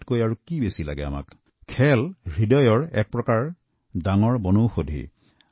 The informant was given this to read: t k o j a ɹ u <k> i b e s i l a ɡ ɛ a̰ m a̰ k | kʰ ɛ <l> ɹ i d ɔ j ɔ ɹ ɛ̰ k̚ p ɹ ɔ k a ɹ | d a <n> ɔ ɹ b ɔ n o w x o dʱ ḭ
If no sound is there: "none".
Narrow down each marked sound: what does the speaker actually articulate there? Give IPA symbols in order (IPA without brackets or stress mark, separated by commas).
k, l, ŋ